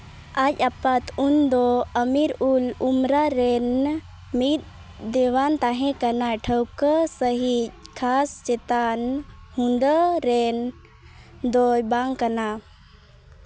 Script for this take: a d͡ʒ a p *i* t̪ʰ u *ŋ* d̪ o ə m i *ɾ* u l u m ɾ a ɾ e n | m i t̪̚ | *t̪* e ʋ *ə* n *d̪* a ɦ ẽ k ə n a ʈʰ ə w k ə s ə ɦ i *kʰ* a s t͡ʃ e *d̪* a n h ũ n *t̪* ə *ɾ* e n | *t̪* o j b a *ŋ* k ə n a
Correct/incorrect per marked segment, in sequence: incorrect: a, incorrect: n, correct, incorrect: d̪, incorrect: a, incorrect: t̪, correct, incorrect: t̪, incorrect: d̪, correct, incorrect: d̪, correct

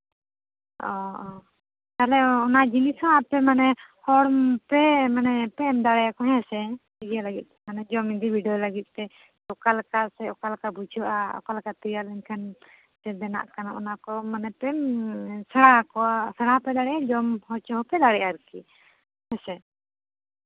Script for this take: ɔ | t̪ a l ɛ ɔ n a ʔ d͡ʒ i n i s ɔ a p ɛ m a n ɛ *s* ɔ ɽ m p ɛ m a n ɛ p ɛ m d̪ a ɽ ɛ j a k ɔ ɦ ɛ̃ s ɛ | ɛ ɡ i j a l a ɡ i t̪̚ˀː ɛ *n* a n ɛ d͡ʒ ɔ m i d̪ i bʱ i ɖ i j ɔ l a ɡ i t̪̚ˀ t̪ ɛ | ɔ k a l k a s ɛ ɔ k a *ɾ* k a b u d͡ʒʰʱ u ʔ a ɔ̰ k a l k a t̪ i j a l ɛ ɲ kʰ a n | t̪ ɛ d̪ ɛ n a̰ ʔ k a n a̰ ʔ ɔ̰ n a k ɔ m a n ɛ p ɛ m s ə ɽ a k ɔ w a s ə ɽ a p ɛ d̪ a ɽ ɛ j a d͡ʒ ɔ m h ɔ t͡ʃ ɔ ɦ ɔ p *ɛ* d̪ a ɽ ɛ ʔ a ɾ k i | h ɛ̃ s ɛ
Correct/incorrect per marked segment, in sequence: incorrect: h, incorrect: m, incorrect: l, correct

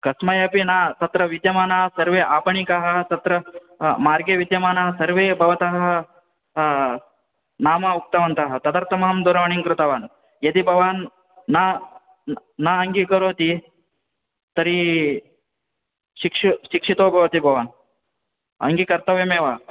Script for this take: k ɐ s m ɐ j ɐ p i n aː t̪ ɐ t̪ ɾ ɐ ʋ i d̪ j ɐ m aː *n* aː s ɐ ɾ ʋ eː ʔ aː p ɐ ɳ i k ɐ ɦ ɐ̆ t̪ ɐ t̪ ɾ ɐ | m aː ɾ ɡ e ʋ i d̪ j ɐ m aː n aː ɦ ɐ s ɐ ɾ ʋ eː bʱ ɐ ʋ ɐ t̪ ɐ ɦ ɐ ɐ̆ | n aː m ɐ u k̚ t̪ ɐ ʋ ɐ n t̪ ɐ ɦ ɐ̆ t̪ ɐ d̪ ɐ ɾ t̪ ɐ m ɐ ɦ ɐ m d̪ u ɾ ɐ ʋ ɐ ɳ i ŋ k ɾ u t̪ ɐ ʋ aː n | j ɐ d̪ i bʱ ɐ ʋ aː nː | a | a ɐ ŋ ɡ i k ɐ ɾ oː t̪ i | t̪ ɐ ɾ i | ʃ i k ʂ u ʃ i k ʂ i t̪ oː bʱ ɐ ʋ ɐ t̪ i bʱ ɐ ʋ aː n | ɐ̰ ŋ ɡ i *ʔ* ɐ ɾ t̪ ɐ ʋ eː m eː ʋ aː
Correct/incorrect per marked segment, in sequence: correct, incorrect: k

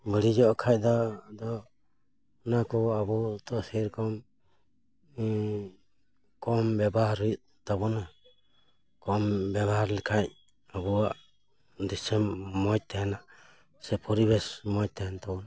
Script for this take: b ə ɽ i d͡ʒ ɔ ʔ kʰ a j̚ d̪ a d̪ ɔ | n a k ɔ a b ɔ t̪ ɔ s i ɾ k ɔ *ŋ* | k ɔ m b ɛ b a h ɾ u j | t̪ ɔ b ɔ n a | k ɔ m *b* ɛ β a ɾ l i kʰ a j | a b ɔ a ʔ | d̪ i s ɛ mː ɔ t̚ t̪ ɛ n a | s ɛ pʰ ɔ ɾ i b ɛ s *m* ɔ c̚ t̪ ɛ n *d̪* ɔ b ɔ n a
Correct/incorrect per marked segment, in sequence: incorrect: m, correct, correct, incorrect: t̪

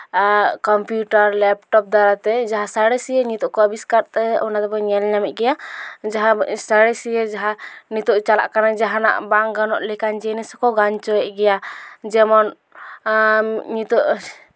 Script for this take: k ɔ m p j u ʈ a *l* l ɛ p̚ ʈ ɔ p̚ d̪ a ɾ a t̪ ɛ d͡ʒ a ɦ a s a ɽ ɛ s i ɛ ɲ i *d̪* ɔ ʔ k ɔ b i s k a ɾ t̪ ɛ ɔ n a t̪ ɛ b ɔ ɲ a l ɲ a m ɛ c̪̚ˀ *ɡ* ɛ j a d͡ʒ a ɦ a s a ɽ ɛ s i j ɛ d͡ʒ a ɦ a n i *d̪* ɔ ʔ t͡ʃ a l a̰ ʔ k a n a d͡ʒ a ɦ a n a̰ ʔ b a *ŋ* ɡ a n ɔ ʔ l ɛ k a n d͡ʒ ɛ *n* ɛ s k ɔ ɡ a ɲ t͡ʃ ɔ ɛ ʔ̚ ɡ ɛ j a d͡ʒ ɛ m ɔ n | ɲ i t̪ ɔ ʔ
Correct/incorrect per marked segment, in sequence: incorrect: ɾ, incorrect: t̪, correct, incorrect: t̪, correct, correct

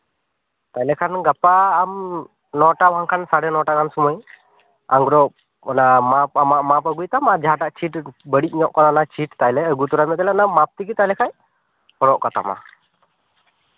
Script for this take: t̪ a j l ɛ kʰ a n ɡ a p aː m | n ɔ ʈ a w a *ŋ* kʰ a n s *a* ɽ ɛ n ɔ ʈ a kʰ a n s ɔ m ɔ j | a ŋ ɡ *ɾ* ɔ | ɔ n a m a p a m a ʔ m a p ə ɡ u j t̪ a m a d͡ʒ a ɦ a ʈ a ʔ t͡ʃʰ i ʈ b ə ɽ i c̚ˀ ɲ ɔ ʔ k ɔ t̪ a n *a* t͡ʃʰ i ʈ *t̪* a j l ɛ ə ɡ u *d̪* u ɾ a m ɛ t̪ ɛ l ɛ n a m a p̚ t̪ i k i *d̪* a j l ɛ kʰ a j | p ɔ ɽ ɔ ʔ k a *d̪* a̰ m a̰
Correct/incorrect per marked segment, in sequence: correct, correct, correct, correct, correct, incorrect: t̪, incorrect: t̪, incorrect: t̪

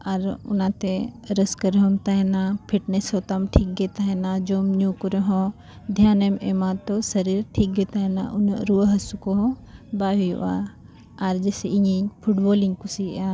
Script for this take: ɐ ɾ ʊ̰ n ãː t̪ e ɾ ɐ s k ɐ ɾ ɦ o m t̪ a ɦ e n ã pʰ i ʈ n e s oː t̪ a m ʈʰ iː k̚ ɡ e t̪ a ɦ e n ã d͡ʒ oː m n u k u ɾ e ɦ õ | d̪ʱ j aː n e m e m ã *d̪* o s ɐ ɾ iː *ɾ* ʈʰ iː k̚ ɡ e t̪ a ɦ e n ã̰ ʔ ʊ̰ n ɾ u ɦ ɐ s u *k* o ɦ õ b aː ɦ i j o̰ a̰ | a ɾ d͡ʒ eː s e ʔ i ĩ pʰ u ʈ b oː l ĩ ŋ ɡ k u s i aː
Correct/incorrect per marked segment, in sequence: incorrect: t̪, correct, correct

